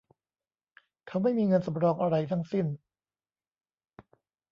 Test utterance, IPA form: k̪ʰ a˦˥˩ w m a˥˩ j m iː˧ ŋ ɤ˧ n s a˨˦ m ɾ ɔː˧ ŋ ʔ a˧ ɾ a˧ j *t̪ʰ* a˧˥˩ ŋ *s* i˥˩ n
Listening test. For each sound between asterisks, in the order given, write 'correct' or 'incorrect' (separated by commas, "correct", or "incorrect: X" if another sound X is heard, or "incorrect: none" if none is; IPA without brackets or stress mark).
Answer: correct, correct